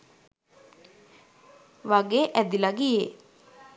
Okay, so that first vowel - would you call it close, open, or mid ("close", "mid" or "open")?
open